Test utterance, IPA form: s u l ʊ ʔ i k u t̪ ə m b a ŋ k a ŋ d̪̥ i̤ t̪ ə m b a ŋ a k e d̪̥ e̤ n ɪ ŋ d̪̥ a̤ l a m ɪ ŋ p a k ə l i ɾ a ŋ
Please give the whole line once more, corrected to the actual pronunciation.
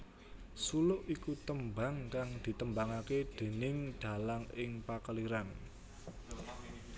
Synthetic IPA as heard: s u l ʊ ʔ i k u t̪ ə m b a ŋ k a ŋ d̪̥ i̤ t̪ ə m b a ŋ a k e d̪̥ e̤ n ɪ ŋ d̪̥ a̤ l a ŋ ɪ ŋ p a k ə l i ɾ a n